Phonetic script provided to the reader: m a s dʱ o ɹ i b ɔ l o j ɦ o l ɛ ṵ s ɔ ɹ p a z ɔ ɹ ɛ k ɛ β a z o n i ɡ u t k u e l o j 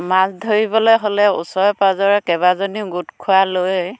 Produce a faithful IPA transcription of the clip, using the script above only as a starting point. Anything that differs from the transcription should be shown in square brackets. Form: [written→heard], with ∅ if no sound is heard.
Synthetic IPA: m a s dʱ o ɹ i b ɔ l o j ɦ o l ɛ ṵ s ɔ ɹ p a z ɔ ɹ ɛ k ɛ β a z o n i ɡ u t [k→kʰ] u [e→a] l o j